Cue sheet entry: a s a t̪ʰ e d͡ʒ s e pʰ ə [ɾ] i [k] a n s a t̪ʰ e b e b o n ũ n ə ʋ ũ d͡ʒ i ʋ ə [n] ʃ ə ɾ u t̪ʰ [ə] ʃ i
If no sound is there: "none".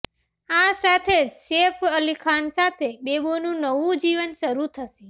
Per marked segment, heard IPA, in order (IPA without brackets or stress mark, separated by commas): l, kʰ, n, ə